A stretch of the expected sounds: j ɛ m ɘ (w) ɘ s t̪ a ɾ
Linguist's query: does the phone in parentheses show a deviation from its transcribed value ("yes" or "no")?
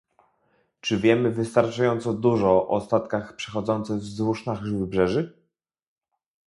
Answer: yes